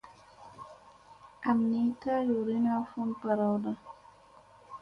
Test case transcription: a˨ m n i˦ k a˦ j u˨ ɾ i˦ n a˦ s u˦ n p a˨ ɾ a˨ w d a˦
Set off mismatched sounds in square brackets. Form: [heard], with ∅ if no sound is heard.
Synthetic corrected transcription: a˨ m n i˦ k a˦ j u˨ ɾ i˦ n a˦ [f] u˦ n p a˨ ɾ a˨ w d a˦